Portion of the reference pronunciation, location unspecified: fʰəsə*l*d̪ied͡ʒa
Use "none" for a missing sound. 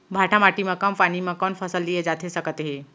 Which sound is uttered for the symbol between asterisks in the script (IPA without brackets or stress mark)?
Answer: l